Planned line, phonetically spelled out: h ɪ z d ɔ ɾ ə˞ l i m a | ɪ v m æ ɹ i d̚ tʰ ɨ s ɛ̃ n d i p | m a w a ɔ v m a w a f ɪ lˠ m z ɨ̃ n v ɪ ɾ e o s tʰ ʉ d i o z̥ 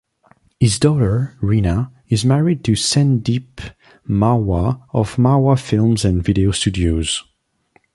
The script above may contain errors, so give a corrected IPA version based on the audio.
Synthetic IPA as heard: h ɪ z d ɔ ɾ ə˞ ɹ i n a | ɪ z m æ ɹ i d̚ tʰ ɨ s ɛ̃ n d i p | m a w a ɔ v m a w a f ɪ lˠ m z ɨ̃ n v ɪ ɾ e o s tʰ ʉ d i o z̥